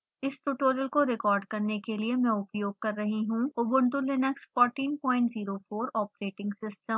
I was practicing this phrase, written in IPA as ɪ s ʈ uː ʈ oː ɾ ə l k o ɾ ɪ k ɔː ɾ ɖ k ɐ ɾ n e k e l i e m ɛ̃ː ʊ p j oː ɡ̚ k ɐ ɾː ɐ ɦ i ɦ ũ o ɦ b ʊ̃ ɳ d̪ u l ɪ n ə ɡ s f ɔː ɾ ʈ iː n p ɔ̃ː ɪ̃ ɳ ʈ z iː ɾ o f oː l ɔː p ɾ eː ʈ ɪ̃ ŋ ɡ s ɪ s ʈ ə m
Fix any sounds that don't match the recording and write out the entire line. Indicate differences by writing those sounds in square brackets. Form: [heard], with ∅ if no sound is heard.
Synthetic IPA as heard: ɪ s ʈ uː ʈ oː ɾ ə l k o ɾ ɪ k ɔː ɾ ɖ k ɐ ɾ n e k e l i e m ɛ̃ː ʊ p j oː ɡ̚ k ɐ ɾː ɐ ɦ i ɦ ũ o [∅] b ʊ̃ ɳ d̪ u l ɪ n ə [k] s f ɔː ɾ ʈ iː n p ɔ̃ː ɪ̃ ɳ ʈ z iː ɾ o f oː [ɾ] ɔː p ɾ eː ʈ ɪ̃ ŋ ɡ s ɪ s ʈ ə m